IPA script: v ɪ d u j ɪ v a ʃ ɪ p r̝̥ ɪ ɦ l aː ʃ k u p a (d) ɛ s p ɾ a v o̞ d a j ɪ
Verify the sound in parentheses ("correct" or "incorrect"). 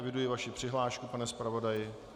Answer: incorrect